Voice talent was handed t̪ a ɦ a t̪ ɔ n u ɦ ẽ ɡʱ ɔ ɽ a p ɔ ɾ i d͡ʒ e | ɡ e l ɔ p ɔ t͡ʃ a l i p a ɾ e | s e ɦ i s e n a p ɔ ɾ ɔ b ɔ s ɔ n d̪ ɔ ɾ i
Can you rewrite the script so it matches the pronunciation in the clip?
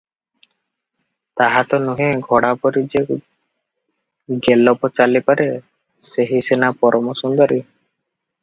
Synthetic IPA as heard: t̪ a ɦ a t̪ ɔ n u ɦ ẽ ɡʱ ɔ ɽ a p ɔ ɾ i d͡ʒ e | ɡ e l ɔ p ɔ t͡ʃ a l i p a ɾ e | s e ɦ i s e n a p ɔ ɾ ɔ m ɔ s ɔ n d̪ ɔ ɾ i